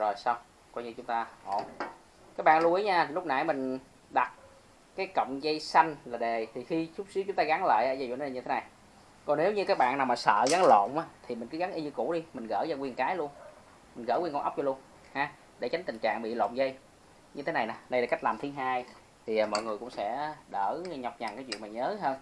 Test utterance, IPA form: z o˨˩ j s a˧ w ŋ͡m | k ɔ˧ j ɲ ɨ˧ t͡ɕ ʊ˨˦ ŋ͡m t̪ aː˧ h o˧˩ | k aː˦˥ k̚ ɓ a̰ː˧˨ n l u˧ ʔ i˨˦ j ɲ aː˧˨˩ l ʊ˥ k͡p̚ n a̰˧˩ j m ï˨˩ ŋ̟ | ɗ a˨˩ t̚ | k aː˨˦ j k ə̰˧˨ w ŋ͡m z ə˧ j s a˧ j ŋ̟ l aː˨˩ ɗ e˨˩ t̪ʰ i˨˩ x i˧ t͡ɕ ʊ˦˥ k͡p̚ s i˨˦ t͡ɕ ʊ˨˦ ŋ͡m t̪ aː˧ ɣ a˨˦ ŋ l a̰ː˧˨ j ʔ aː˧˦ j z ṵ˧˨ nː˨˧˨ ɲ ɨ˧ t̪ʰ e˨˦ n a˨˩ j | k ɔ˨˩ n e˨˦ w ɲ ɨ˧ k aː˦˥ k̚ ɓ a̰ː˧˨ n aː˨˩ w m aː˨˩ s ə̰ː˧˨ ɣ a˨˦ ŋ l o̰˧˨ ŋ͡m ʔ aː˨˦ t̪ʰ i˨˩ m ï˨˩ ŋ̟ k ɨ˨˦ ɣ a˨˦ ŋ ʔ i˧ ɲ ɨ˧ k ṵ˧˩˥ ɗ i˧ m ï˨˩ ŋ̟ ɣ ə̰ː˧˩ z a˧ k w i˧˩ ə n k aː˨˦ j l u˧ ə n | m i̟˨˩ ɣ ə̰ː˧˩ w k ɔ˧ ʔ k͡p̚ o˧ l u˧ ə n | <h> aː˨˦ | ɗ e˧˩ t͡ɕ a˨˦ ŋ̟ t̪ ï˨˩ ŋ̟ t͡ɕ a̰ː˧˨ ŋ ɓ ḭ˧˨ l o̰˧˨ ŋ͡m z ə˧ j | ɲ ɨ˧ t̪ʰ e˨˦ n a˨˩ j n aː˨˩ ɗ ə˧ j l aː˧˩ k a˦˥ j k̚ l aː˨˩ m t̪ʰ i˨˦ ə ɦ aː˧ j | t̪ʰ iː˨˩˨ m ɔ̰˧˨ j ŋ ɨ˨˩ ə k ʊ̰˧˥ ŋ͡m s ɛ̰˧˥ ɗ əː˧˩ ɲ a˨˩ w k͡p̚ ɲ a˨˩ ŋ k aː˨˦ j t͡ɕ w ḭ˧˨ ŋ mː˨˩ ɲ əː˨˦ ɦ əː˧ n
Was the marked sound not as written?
no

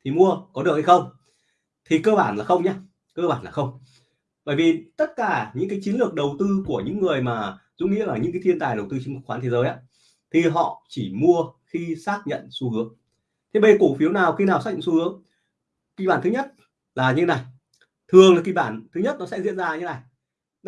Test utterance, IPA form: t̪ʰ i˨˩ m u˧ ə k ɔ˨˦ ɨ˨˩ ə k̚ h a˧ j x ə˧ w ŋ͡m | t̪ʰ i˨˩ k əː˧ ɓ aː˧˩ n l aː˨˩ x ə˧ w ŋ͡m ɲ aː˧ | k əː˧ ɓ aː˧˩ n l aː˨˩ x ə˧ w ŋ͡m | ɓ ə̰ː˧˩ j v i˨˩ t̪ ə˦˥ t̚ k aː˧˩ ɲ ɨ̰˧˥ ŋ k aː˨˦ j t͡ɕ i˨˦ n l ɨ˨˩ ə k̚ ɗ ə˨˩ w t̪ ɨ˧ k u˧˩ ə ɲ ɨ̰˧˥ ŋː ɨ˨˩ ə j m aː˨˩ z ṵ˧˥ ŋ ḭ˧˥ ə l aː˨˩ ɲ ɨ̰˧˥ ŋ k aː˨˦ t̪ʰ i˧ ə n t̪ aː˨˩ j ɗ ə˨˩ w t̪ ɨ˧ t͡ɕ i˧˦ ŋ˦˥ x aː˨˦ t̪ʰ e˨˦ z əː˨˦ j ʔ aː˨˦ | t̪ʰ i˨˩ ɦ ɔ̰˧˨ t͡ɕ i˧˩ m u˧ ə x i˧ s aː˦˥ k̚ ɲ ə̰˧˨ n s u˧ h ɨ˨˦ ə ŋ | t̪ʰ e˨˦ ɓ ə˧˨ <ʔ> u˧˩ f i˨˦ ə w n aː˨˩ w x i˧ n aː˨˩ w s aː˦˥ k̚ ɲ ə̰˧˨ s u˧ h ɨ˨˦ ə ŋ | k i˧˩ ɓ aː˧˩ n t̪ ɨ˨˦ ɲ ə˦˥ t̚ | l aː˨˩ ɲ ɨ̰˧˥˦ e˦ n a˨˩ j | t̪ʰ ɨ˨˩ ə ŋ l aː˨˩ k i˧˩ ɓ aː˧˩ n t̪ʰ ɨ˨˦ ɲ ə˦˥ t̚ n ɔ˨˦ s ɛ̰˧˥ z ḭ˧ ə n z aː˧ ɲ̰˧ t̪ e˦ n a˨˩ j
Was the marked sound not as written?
yes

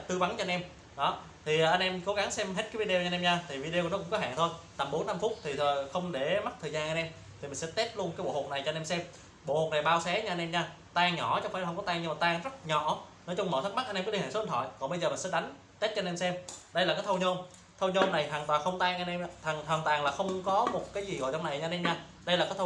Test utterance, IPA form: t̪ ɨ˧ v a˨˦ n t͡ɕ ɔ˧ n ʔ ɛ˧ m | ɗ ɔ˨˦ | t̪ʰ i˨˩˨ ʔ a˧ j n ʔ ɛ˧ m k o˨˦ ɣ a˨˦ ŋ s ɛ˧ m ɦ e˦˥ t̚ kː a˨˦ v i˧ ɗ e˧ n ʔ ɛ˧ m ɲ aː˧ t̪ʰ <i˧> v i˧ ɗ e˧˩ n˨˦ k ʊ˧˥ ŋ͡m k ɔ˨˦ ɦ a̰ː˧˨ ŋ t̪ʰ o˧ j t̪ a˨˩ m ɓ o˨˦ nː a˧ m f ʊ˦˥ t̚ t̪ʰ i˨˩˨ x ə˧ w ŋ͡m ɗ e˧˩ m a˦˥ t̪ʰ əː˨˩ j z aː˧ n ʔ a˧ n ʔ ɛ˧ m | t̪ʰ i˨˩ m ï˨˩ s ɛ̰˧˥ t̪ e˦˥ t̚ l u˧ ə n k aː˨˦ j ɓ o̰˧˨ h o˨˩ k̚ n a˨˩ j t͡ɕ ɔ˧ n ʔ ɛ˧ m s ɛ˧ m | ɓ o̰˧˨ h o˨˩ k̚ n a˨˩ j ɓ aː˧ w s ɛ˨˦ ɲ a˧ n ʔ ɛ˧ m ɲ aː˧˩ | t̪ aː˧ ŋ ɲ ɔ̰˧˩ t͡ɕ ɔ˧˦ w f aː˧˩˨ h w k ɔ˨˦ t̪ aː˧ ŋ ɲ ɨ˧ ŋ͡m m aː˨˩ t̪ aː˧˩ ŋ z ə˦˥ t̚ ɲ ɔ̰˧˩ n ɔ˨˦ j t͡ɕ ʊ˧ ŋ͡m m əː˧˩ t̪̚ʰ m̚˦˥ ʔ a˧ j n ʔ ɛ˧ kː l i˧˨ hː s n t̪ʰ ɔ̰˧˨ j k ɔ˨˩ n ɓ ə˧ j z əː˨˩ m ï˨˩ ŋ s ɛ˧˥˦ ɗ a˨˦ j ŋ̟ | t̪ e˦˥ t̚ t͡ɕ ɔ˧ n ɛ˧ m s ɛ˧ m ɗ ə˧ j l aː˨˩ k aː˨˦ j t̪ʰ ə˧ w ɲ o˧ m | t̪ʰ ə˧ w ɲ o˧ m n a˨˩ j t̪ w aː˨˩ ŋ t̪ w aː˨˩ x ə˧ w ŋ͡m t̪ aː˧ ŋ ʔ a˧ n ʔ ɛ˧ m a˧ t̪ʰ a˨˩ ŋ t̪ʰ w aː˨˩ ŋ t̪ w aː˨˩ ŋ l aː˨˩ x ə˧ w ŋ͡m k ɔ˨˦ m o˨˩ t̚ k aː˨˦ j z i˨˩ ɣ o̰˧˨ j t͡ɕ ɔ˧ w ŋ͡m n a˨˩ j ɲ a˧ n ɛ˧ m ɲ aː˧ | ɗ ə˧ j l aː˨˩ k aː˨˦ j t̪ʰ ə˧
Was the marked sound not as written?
yes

